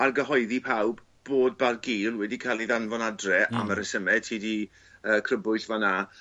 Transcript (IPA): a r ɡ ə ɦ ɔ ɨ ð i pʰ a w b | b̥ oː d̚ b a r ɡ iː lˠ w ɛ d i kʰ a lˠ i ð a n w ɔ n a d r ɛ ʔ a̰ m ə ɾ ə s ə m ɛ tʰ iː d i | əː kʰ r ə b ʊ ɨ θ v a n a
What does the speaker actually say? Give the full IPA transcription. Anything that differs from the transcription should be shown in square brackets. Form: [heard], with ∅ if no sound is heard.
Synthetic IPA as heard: a r ɡ ə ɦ ɔ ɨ ð i pʰ a w b | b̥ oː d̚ b a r ɡ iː lˠ w ɛ d i kʰ a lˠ i ð a n [v] ɔ n a d r ɛ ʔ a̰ m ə ɾ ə s ə m ɛ tʰ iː d i | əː kʰ r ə b ʊ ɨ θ v a n a